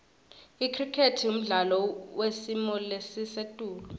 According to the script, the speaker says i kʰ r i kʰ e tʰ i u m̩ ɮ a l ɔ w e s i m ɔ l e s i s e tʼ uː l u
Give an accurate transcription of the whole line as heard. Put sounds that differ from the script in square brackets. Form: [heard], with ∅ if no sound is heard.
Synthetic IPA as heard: i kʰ r i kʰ e tʰ i u m̩ ɮ a l ɔ w e s i m ɔ l e s i s e tʼ uː l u